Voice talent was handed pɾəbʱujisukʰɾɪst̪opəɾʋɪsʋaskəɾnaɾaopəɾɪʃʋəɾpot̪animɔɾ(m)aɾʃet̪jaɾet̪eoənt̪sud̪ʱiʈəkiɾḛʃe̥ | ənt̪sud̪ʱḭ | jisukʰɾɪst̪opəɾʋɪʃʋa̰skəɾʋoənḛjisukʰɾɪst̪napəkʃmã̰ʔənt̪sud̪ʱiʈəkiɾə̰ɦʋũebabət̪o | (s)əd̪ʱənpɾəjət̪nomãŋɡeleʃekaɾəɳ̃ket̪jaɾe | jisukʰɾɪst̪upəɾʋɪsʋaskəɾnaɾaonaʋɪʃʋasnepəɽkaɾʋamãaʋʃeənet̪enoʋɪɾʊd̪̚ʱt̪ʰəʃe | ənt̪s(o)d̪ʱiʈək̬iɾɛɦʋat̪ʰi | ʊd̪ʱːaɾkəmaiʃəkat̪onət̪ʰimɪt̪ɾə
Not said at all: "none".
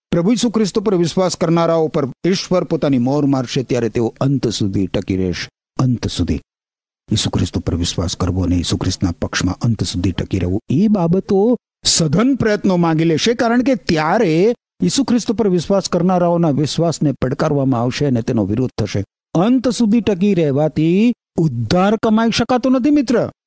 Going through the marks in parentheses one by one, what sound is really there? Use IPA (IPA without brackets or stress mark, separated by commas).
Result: m, s, u